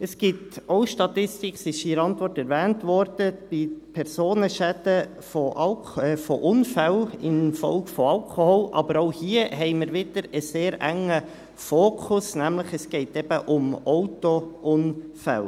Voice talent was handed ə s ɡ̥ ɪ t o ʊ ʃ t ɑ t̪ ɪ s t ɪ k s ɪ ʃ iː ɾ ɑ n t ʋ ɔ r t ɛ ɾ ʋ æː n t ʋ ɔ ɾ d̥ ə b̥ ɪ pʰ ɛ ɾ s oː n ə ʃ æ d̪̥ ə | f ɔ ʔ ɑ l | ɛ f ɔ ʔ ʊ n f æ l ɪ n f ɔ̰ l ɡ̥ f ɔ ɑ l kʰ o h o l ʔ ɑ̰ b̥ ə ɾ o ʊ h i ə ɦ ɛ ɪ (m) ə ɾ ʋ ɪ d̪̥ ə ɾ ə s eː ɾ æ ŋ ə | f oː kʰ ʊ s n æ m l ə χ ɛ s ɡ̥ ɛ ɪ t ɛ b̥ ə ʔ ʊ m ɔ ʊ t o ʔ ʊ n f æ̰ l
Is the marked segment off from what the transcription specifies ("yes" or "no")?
no